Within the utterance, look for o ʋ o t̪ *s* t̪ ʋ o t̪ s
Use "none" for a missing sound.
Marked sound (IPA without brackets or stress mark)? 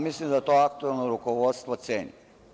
s